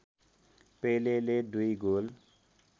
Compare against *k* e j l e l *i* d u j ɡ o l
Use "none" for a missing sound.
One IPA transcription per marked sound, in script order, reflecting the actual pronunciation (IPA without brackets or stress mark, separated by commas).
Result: p, e